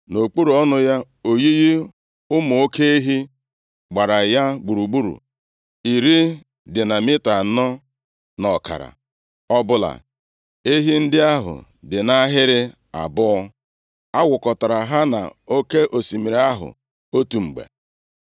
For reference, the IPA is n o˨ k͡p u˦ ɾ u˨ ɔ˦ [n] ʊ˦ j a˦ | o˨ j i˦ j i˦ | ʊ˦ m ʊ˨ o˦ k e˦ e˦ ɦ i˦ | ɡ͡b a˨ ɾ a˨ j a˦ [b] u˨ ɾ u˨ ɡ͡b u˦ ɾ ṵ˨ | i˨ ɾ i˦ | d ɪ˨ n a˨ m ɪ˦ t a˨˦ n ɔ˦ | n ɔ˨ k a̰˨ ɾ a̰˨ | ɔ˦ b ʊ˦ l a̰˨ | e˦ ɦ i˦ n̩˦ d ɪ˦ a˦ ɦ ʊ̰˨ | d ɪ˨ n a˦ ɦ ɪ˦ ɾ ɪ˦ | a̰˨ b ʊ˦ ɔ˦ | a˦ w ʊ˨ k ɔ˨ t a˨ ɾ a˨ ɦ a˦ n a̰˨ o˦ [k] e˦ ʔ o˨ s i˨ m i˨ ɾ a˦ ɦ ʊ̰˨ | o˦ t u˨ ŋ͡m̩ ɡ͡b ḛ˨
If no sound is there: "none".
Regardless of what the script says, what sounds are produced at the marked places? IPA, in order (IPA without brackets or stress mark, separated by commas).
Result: n, ɡ͡b, k